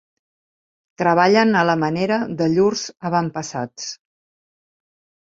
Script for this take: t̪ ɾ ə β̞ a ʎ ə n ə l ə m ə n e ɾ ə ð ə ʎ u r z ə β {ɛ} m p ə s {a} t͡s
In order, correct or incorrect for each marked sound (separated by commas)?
incorrect, correct